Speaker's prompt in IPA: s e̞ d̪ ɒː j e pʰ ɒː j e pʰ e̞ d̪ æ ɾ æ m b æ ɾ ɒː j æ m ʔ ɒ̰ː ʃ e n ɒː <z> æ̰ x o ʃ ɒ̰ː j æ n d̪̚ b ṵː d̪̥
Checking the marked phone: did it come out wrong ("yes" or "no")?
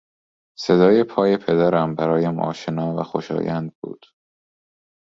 yes